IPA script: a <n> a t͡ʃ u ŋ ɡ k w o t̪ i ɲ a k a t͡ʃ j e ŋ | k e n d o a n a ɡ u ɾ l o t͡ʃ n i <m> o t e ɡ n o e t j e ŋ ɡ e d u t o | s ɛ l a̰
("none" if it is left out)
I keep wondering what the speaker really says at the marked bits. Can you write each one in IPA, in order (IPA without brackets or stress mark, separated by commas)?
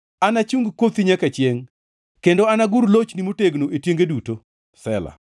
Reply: n, m